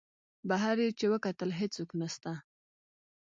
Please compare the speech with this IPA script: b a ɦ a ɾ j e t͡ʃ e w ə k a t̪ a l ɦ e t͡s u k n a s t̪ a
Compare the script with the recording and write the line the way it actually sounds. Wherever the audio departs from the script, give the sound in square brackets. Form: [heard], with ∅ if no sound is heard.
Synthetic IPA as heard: b a ɦ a ɾ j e t͡ʃ e w ə k a t̪ [ə] l ɦ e t͡s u k n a s t̪ a

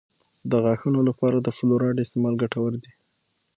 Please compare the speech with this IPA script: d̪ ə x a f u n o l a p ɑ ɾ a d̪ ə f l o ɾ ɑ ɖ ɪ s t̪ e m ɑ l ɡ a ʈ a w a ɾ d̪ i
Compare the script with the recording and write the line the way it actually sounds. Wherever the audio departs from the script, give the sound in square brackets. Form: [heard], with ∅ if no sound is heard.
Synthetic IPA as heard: d̪ ə [ɣ] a [x] u n o l a p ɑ ɾ a d̪ ə f l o ɾ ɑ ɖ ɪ s t̪ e m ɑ l ɡ a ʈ a w [ə] ɾ d̪ i

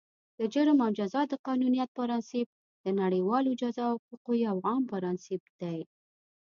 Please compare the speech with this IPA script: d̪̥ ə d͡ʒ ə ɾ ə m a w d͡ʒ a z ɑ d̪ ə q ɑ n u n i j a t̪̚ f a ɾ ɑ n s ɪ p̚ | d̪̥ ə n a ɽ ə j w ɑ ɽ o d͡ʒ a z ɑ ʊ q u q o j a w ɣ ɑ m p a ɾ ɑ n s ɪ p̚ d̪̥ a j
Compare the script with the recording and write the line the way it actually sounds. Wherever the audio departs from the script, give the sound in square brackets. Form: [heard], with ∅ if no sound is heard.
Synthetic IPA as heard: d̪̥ ə d͡ʒ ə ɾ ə m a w d͡ʒ a z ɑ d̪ ə q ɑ n u n i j a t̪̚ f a ɾ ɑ n s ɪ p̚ | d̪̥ ə n a ɽ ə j w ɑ [l] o d͡ʒ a z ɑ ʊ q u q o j a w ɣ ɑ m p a ɾ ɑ n s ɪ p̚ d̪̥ a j

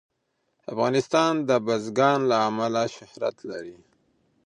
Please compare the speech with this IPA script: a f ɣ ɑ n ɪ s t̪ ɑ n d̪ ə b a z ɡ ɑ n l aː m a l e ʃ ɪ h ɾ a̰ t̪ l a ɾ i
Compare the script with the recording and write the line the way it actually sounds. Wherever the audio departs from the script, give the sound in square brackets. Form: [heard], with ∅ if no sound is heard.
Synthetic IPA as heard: a f ɣ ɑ n ɪ s t̪ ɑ n d̪ ə b a z ɡ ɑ n l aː m a l [a] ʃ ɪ h ɾ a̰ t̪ l a ɾ i

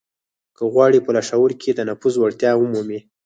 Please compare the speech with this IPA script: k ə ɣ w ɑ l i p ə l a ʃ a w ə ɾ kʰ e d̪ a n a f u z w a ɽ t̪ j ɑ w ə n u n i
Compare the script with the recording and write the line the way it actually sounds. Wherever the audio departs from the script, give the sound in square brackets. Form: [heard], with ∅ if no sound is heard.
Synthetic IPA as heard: k ə ɣ w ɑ [ɽ] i p ə l a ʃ a w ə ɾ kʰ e d̪ [ə] n a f u z w a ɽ t̪ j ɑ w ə [m] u [m] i

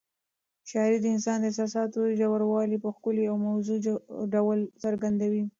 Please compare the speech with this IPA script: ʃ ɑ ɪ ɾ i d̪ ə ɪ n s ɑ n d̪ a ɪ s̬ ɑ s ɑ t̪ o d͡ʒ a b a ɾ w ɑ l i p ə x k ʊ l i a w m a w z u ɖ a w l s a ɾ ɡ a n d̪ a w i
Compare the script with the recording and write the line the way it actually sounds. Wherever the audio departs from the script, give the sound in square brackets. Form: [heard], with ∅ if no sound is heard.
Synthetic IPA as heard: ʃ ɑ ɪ ɾ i d̪ ə ɪ n s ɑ n d̪ [ə] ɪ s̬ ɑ s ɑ t̪ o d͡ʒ a [w] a ɾ w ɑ l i p ə x k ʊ l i a w m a w z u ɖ a w l s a ɾ ɡ a n d̪ a w i

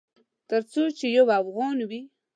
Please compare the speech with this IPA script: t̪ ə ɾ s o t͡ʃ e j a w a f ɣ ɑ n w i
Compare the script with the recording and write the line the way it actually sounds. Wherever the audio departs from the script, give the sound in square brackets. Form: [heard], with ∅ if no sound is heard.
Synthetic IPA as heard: t̪ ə ɾ [t͡s] o t͡ʃ e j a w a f ɣ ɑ n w i

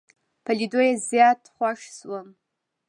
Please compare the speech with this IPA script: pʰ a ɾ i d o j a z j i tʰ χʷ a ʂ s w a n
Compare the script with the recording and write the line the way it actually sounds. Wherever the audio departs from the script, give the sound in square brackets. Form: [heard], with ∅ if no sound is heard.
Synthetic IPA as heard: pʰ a [l] i d o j a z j [a] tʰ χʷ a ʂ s w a n

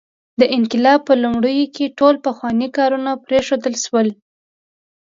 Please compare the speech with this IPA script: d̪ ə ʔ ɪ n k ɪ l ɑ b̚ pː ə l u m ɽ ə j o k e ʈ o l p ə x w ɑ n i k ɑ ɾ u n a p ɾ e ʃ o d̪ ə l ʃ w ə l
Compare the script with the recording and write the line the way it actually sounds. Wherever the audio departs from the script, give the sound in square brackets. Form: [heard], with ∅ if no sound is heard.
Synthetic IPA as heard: d̪ ə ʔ ɪ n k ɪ l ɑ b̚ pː ə l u m ɽ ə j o k e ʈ o l p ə x w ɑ n i k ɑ ɾ u n a p ɾ e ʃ o d̪ ə l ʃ w ə l

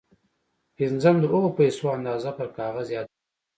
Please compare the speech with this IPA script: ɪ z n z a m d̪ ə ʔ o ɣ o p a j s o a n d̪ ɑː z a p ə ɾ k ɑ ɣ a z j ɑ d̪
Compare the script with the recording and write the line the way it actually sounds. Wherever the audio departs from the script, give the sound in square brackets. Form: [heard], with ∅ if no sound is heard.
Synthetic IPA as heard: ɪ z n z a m d̪ ə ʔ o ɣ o p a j s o a n d̪ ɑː z a p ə ɾ k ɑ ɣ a z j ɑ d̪

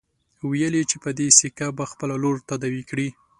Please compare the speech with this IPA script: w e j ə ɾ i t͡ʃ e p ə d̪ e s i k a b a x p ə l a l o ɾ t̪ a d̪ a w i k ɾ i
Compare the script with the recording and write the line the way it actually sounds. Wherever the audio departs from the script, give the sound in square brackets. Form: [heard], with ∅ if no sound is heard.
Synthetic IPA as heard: w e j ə [l] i t͡ʃ e p ə d̪ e s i k a b a x p ə l a l o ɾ t̪ a d̪ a w i k [ɽ] i

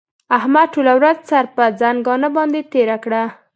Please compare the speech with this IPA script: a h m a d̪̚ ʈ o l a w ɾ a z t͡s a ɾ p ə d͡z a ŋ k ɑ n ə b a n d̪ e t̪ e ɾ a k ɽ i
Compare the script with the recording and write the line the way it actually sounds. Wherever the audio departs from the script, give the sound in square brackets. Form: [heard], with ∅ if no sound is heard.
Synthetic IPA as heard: a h m a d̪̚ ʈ o l a w ɾ a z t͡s a ɾ p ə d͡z a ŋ [ɡ] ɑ n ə b [ɑ] n d̪ e t̪ e ɾ a k ɽ [a]

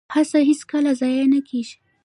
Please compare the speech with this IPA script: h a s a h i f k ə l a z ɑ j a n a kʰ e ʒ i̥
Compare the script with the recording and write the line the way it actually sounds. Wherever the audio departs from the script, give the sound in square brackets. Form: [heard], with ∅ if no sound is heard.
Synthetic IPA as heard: h a s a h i [s] k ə l a z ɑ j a n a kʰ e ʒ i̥

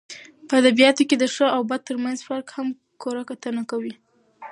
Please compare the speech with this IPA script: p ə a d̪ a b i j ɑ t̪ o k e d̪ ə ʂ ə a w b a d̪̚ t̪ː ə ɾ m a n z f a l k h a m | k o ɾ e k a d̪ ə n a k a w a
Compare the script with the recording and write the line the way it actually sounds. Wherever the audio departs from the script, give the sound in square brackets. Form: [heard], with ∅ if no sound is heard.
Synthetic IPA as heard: p ə a d̪ a b i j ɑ t̪ o k e d̪ ə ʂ ə a w b a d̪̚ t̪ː ə ɾ m a n z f a [ɾ] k h a m | k o ɾ [a] k a [t̪] ə n a k a w [i]

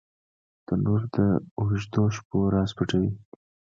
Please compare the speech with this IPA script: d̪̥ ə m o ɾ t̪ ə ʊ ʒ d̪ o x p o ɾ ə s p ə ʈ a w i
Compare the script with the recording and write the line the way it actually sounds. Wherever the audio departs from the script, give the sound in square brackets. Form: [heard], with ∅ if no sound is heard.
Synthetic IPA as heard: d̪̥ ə [n] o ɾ [d̪] ə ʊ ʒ d̪ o [ʃ] p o ɾ [ɑ] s p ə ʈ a w i

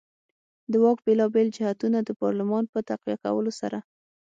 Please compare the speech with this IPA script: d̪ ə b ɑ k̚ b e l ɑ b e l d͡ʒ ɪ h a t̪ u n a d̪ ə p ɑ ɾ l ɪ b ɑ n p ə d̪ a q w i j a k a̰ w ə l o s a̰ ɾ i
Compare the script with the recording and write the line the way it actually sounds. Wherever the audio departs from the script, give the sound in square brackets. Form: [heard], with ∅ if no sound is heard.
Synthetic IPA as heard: d̪ ə [w] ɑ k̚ b e l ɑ b e l d͡ʒ ɪ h a t̪ u n a d̪ ə p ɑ ɾ l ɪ [m] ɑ n p ə [t̪] a q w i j a k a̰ w ə l o s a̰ ɾ [a]

